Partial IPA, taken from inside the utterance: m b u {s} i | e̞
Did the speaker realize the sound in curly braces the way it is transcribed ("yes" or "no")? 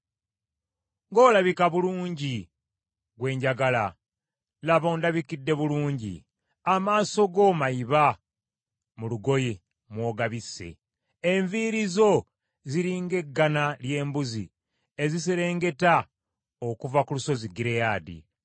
no